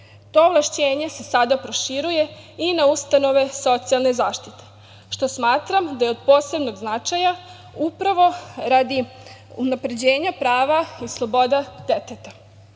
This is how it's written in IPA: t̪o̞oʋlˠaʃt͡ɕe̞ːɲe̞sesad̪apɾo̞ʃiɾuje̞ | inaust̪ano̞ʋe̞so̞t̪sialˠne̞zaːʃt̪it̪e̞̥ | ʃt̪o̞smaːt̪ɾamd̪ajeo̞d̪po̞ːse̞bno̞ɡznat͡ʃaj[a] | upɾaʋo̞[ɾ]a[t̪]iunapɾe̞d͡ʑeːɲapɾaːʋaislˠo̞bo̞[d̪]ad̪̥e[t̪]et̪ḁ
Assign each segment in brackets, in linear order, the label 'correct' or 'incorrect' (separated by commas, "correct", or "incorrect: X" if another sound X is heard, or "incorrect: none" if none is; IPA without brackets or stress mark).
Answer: correct, correct, incorrect: d̪, correct, correct